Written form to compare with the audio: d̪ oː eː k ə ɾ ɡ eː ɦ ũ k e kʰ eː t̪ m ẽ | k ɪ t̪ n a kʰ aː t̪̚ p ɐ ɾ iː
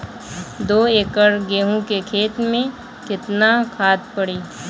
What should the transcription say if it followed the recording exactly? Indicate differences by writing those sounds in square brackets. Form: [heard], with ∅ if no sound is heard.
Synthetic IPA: d̪ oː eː k ə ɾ ɡ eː ɦ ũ k e kʰ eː t̪ m ẽ | k ɪ t̪ n a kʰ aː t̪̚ p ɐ [ɽ] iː